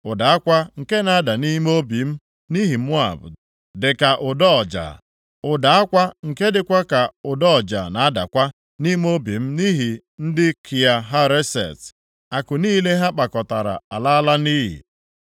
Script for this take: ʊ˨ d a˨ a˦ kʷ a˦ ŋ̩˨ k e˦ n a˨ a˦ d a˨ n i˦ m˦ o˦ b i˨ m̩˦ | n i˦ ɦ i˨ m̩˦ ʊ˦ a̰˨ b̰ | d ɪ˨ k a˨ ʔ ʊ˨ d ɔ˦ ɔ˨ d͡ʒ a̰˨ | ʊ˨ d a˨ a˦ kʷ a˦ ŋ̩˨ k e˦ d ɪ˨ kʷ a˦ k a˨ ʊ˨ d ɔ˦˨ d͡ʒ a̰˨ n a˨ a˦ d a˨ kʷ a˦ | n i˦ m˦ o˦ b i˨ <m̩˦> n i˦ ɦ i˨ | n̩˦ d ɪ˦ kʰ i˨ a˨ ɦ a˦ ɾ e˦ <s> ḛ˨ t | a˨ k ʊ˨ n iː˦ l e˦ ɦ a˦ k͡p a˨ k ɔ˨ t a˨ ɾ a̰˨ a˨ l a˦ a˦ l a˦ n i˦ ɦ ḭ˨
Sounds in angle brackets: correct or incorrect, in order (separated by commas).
correct, correct